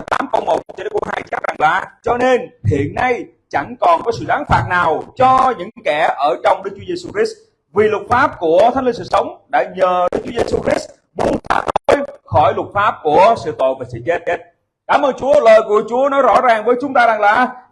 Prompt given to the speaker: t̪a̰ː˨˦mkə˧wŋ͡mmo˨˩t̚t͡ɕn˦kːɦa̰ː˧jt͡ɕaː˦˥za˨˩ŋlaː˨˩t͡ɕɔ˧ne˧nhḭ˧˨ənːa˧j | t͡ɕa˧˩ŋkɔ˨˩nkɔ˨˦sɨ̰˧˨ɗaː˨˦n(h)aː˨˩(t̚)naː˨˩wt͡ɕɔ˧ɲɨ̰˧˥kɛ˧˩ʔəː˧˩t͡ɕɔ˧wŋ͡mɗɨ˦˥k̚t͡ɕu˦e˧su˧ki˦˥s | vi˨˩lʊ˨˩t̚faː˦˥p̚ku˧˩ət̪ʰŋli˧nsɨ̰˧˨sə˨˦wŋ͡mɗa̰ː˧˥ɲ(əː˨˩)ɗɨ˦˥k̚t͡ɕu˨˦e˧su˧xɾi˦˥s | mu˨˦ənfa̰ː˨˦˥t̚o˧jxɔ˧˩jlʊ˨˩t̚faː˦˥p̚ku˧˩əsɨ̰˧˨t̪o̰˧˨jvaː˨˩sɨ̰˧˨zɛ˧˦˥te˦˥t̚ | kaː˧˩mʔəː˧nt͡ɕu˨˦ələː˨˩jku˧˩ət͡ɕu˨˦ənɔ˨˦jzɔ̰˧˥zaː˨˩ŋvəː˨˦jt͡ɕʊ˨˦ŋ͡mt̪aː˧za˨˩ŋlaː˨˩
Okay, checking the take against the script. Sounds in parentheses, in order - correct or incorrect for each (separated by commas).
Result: incorrect, correct, correct